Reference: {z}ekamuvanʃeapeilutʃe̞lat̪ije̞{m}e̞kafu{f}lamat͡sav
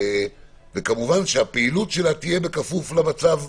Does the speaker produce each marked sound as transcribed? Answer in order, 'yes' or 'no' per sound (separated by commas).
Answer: no, no, yes